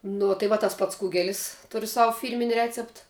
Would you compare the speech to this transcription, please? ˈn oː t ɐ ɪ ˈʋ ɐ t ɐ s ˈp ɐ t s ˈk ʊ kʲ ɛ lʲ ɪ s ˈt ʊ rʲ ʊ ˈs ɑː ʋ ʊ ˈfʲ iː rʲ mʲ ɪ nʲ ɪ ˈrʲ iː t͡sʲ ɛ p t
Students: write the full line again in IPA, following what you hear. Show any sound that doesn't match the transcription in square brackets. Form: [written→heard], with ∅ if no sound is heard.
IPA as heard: ˈn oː t ɐ ɪ ˈʋ ɐ t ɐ s ˈp ɐ t s ˈk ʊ [kʲ→ɡʲ] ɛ lʲ ɪ s ˈt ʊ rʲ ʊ ˈs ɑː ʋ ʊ ˈfʲ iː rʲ mʲ ɪ nʲ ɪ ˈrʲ [iː→æː] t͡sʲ ɛ p t